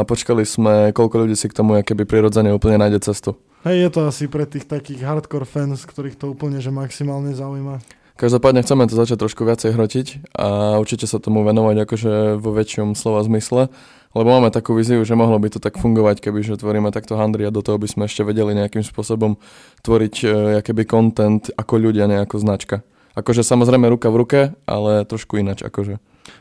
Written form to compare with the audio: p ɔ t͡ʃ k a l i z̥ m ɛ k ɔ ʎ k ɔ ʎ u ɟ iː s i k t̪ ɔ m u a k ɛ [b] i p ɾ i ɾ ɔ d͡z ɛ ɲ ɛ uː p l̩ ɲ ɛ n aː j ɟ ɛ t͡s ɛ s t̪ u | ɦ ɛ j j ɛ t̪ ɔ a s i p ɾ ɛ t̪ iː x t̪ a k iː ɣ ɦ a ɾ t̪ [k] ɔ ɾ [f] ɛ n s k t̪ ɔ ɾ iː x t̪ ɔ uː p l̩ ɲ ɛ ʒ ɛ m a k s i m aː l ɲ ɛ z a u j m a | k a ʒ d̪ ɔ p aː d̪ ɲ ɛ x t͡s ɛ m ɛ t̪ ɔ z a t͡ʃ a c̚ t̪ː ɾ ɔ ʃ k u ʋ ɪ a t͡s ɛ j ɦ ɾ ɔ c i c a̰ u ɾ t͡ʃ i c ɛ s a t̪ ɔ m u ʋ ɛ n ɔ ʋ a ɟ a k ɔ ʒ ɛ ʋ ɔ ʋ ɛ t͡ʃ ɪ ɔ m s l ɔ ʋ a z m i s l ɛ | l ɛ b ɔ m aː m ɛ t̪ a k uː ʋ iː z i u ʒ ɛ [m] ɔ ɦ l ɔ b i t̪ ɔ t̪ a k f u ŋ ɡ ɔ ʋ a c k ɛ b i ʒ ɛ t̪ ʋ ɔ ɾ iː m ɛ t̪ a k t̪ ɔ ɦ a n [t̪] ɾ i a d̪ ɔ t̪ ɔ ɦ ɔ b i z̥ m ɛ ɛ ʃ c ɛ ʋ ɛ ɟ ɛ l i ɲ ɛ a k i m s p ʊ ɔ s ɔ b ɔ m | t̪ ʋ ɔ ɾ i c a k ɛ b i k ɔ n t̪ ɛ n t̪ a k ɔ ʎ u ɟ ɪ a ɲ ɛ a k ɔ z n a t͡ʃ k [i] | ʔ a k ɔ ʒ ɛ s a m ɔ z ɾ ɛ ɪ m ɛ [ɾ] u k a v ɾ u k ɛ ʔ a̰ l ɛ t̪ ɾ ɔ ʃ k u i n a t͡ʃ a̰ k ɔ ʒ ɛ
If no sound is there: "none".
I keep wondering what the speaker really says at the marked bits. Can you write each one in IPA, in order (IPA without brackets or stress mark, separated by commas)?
b, k, f, m, d̪, a, ɾ